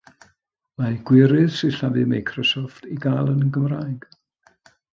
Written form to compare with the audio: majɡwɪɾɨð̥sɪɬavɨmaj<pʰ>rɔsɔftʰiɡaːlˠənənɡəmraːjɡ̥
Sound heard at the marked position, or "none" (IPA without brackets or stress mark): kʰ